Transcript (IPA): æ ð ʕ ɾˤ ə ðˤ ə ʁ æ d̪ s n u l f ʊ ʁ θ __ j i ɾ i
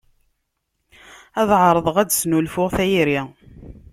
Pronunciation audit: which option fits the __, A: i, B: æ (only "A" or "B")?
B